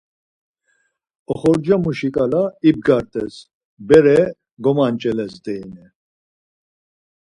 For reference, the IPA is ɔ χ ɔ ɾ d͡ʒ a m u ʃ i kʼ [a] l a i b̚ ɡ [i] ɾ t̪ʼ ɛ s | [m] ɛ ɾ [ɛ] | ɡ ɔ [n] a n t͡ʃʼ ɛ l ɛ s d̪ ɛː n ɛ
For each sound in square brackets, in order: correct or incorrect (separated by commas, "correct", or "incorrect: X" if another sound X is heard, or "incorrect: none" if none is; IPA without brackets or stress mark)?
correct, incorrect: a, incorrect: b, correct, incorrect: m